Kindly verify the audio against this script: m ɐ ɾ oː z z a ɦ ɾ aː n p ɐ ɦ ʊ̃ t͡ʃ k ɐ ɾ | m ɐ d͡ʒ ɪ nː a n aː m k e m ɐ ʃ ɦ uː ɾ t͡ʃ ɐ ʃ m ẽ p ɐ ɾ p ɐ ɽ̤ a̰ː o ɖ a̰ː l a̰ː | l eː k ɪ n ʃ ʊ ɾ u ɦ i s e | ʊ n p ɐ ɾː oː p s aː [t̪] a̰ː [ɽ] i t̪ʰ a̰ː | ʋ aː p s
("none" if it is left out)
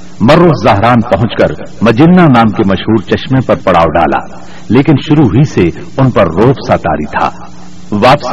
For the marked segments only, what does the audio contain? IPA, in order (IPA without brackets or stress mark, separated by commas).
t̪, ɾ